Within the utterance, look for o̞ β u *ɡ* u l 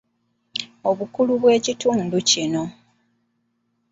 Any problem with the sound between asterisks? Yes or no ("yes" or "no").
yes